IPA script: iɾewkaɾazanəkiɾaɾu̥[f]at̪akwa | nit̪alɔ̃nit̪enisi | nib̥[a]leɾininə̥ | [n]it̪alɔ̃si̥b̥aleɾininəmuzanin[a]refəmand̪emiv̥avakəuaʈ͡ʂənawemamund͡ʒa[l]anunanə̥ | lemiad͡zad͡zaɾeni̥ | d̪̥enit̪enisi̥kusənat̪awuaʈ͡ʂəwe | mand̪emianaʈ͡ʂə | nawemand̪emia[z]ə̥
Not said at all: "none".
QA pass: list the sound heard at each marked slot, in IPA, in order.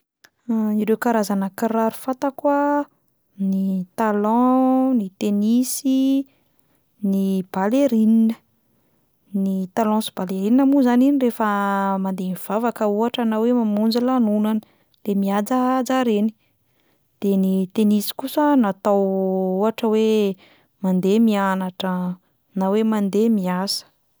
f, a, n, i, l, s

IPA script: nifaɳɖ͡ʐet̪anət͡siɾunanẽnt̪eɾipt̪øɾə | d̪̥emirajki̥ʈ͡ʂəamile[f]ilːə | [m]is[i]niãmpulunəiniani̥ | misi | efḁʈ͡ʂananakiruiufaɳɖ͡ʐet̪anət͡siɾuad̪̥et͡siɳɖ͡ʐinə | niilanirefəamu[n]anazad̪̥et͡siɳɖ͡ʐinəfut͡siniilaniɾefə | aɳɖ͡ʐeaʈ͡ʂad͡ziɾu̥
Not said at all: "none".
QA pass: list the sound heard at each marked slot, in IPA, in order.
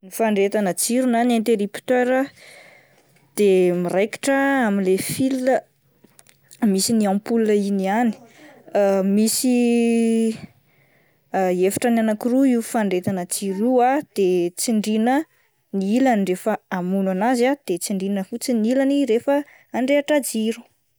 f, m, i, n

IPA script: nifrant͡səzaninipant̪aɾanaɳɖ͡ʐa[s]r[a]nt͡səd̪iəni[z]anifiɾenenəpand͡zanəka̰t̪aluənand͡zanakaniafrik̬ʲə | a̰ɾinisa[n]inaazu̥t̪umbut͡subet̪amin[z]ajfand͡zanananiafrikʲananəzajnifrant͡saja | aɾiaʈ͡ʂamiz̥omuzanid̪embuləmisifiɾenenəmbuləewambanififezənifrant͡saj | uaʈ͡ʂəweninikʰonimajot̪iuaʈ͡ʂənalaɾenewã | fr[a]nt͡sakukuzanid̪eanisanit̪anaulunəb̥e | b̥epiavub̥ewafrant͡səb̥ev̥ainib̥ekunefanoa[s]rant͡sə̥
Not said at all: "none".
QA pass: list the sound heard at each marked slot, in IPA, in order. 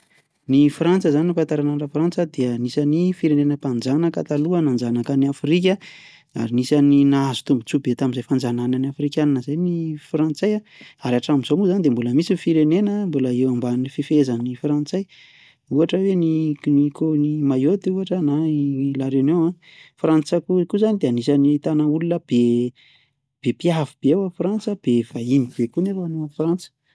f, a, s, n, z, a, f

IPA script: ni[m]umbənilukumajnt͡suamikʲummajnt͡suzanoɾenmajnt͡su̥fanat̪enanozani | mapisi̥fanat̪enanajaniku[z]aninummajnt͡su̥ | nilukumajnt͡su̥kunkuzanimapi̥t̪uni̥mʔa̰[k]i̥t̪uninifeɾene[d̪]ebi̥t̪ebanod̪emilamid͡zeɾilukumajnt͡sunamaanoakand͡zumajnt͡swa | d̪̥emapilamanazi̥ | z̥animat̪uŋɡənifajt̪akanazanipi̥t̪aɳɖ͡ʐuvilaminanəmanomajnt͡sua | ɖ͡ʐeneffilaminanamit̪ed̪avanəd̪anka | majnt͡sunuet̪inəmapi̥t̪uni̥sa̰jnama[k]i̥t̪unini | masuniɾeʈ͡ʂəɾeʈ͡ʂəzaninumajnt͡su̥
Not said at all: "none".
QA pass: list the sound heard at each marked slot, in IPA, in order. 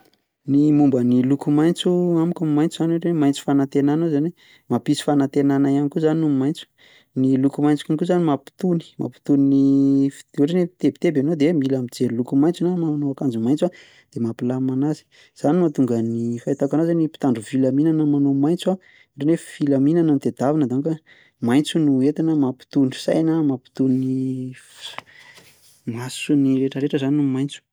m, z, p, t̪, p

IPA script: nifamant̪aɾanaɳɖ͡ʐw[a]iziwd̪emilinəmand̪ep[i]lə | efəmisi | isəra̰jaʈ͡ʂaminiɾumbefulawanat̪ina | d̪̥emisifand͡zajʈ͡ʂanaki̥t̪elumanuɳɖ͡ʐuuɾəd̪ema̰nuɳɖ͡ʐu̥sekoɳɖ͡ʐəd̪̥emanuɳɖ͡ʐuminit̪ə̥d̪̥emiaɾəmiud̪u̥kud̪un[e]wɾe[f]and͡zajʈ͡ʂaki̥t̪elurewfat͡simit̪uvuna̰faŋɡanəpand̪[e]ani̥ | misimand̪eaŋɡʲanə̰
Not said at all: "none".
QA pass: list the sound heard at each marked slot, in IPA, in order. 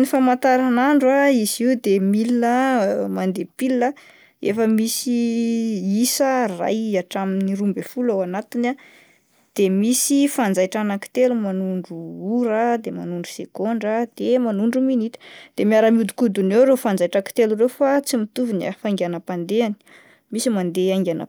a, i, e, f, e

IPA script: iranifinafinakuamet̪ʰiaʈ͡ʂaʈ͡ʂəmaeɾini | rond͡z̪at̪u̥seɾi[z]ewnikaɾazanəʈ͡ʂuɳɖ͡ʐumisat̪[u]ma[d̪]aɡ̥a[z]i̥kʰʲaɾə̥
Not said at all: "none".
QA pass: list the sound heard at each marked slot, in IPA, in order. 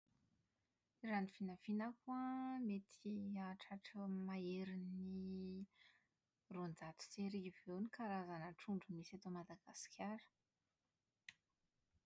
v, o, d̪, s

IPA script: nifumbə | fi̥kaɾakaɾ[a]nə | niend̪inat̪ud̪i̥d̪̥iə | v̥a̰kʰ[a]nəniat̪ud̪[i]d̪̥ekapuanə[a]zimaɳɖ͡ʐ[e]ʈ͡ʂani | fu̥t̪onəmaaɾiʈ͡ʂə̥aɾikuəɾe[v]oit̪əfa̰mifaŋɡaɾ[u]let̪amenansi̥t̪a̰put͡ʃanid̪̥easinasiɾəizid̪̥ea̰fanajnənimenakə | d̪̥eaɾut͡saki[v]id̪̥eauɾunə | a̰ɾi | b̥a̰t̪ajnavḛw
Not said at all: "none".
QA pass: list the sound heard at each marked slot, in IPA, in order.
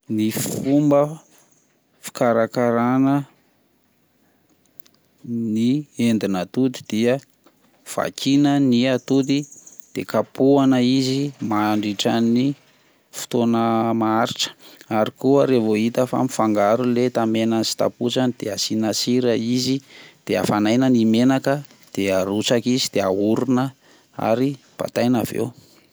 a, i, i, i, i, v, u, z

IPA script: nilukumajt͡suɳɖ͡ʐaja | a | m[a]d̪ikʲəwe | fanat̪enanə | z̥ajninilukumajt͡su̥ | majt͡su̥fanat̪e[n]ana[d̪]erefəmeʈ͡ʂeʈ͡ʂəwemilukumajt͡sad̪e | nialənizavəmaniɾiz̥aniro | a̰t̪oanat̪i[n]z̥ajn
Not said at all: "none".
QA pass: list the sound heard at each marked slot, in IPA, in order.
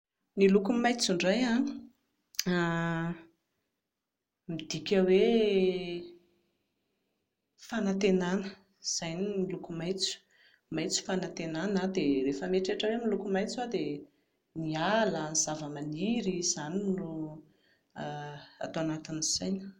i, n, d̪, n

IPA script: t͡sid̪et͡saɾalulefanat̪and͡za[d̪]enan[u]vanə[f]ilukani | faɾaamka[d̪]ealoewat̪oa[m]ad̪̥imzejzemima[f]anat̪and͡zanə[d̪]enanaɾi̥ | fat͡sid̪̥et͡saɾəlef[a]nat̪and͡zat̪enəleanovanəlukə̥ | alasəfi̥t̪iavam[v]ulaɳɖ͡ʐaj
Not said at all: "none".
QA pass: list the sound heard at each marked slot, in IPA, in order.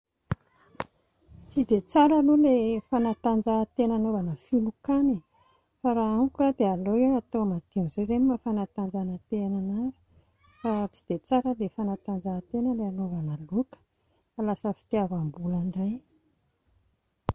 t̪, o, f, d̪, m, f, t̪, a, b

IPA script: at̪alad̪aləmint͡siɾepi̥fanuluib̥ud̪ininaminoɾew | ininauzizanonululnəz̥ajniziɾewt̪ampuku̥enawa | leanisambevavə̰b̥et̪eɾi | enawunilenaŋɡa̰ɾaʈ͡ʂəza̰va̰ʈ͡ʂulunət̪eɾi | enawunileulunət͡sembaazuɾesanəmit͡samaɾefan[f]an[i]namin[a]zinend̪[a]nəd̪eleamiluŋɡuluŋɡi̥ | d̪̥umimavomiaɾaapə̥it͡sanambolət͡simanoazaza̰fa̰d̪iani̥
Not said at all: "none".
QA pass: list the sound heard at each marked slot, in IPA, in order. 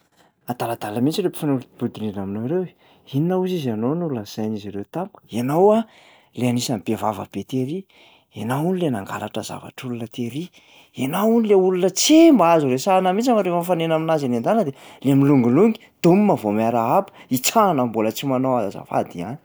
f, e, a, a

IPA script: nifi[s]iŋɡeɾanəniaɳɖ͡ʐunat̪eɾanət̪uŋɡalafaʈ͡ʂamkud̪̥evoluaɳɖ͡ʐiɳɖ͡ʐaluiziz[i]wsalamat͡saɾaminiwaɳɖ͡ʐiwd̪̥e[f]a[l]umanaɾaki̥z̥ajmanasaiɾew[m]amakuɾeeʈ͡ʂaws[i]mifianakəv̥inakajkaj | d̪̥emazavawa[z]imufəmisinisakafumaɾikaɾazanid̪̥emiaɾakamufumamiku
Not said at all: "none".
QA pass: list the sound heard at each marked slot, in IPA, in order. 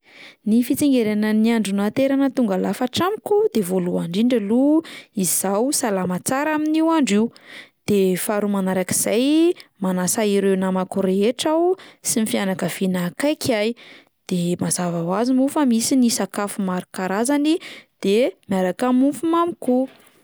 t͡s, a, f, ɾ, n, i, z

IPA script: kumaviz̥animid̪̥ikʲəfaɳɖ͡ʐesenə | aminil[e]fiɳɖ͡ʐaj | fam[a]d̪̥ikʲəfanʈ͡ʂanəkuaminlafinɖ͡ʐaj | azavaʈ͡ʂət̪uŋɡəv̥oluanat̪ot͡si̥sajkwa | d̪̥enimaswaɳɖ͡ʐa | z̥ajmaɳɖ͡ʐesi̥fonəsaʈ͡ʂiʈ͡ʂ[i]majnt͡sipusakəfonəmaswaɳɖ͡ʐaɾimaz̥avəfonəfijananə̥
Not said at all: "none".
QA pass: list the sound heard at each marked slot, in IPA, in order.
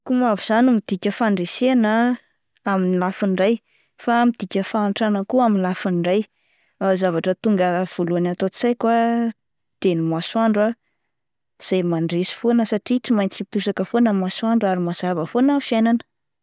a, i, i

